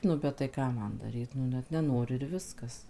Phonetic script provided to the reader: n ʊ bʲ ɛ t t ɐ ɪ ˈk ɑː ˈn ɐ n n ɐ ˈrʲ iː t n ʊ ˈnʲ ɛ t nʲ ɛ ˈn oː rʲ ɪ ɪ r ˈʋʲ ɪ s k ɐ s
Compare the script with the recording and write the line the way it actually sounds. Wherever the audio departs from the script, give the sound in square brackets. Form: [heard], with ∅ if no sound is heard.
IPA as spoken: n ʊ bʲ ɛ t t ɐ ɪ ˈk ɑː [ˈm] ɐ n [d] ɐ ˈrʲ iː t n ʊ ˈnʲ ɛ t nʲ ɛ ˈn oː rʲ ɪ ɪ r ˈʋʲ ɪ s k ɐ s